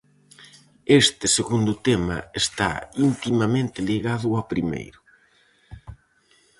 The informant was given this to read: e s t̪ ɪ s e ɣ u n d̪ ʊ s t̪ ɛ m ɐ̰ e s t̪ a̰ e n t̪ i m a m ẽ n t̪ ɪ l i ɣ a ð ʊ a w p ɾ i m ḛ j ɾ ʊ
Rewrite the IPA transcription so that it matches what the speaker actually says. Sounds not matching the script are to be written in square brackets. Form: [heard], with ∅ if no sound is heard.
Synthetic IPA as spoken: e s t̪ ɪ s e ɣ u n d̪ ʊ [∅] t̪ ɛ m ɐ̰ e s t̪ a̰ [i] n t̪ i m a m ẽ n t̪ ɪ l i ɣ a ð ʊ a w p ɾ i m ḛ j ɾ ʊ